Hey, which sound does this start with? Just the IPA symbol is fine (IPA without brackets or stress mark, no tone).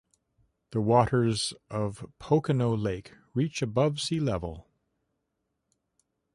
ð